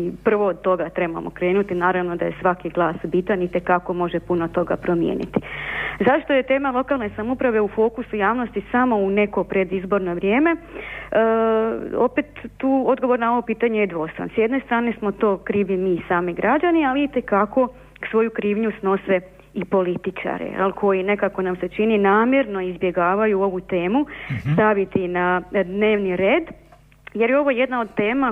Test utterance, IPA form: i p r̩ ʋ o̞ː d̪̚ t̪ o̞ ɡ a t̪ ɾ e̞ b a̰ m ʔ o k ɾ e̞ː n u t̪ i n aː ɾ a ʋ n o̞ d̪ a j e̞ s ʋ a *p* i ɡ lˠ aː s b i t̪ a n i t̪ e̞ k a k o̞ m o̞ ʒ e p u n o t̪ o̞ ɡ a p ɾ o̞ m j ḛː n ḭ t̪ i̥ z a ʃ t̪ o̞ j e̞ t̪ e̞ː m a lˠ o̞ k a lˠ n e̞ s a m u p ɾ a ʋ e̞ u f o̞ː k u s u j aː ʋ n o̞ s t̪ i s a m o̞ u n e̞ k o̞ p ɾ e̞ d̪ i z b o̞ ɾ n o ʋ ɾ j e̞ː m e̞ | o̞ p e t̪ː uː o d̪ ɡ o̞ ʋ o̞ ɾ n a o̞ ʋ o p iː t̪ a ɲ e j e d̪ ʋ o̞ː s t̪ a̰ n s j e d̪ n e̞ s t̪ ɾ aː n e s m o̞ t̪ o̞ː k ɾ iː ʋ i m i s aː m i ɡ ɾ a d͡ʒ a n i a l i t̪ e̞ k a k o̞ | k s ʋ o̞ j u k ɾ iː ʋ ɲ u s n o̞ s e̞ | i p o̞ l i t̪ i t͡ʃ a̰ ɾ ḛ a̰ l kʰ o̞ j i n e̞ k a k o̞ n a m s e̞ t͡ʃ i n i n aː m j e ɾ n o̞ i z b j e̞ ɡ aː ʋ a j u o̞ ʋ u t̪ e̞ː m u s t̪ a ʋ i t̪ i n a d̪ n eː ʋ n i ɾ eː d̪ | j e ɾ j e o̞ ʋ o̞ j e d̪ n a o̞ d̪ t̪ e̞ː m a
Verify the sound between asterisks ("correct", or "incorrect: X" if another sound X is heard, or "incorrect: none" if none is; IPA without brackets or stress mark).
incorrect: k